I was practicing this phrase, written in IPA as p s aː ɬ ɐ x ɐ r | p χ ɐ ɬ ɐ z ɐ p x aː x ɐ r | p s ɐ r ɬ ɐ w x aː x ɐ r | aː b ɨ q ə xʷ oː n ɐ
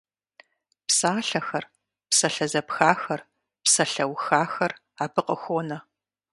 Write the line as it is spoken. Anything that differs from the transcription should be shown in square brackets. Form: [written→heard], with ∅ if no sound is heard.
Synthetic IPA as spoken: p s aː ɬ ɐ x ɐ r | p [χ→s] ɐ ɬ ɐ z ɐ p x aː x ɐ r | p s ɐ [r→∅] ɬ ɐ w x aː x ɐ r | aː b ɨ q ə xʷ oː n ɐ